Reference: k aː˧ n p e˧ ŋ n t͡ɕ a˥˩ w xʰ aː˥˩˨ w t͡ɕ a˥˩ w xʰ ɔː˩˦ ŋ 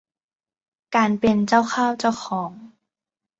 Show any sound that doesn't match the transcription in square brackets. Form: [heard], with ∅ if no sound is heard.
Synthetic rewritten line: k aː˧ n p e˧ [∅] n t͡ɕ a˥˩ w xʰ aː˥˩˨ w t͡ɕ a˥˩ w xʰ ɔː˩˦ ŋ